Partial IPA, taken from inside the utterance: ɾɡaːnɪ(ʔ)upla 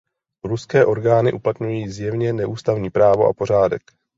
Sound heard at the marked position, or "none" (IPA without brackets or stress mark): ʔ